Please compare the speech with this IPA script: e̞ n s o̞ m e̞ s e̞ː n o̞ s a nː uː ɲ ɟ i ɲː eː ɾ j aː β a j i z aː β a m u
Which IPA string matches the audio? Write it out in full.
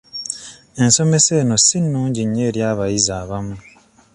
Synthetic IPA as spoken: e̞ n s o̞ m e̞ s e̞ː n o̞ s i nː uː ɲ ɟ i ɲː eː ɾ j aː β a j i z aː β a m u